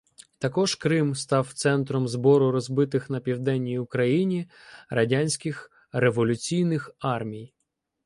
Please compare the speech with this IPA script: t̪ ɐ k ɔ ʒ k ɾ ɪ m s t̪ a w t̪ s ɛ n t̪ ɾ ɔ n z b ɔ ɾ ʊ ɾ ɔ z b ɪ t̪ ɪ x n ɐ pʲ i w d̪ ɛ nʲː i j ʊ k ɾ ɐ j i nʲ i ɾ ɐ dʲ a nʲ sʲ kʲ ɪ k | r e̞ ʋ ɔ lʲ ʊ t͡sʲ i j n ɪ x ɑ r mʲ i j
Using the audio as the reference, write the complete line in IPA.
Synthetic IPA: t̪ ɐ k ɔ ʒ k ɾ ɪ m s t̪ ɑ w t̪ s ɛ n t̪ ɾ ɔ m z b ɔ ɾ ʊ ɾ ɔ z b ɪ t̪ ɪ x n ɐ pʲ i w d̪ ɛ nʲː i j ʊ k ɾ ɐ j i nʲ i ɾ ɐ dʲ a nʲ sʲ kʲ ɪ x | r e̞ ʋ ɔ lʲ ʊ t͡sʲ i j n ɪ x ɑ r mʲ i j